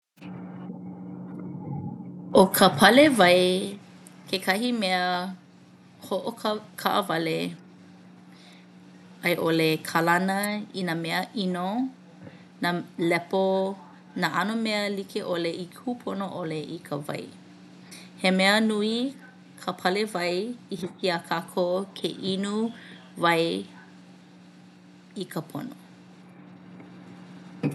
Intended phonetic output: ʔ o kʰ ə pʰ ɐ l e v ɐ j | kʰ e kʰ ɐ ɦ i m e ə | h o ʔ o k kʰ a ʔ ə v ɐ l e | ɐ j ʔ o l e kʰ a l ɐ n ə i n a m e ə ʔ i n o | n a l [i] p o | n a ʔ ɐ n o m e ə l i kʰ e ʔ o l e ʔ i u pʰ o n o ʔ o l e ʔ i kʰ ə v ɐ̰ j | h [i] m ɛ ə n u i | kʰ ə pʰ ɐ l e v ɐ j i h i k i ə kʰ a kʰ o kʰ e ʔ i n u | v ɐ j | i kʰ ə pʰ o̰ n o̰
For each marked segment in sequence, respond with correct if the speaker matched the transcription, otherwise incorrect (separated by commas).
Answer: incorrect, incorrect